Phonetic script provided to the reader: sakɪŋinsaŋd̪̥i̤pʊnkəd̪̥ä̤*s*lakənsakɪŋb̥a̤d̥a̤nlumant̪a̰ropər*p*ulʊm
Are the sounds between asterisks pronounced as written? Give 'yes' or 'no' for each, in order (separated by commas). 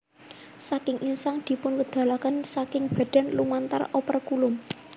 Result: no, no